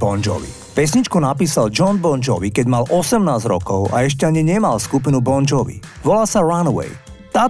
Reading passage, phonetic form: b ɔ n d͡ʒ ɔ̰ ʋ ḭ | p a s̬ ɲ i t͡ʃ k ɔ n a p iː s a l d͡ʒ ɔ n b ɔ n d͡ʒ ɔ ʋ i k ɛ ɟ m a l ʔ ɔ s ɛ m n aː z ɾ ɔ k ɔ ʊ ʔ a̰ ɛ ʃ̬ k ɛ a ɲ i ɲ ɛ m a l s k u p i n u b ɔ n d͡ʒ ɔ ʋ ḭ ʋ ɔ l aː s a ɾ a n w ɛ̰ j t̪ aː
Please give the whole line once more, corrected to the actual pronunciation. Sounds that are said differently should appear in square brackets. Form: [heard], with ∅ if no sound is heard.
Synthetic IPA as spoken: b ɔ n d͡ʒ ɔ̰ ʋ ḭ | p [ɛ] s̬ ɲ i t͡ʃ k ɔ n a p iː s a l d͡ʒ ɔ n b ɔ n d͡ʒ ɔ ʋ i k ɛ ɟ m a l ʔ ɔ s ɛ m n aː z ɾ ɔ k ɔ ʊ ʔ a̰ ɛ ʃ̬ [c] ɛ a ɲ i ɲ ɛ m a l s k u p i n u b ɔ n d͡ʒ ɔ ʋ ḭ ʋ ɔ l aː s a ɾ a n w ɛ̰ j t̪ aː